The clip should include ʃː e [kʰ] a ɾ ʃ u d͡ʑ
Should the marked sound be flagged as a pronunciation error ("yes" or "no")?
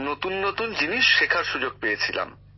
no